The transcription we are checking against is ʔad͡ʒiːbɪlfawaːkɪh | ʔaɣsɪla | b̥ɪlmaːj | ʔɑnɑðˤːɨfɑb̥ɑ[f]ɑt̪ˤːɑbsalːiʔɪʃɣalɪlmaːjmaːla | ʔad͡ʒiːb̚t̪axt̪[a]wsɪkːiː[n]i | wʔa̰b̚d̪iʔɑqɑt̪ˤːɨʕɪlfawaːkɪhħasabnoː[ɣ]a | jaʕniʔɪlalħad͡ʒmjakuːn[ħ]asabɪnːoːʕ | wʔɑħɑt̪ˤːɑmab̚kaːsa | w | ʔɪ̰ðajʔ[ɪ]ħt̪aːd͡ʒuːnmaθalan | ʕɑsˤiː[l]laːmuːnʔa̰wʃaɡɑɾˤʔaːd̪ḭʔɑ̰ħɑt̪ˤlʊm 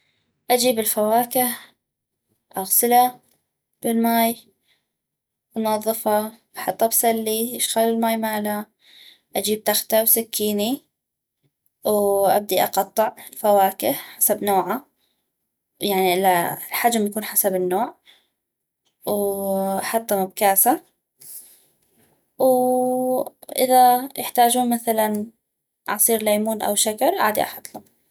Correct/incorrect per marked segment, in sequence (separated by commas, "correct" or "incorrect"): incorrect, correct, correct, incorrect, correct, correct, incorrect